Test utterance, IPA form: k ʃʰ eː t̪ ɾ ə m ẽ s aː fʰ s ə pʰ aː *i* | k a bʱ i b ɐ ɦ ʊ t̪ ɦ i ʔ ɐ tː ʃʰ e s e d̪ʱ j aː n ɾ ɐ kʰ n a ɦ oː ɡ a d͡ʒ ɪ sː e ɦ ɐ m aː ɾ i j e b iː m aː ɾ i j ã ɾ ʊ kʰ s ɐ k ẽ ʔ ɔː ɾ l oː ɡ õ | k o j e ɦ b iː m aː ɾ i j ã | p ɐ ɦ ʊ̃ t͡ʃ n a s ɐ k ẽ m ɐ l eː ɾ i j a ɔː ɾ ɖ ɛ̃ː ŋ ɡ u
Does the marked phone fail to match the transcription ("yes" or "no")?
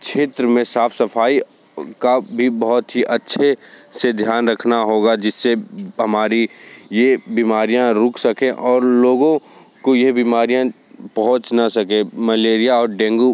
no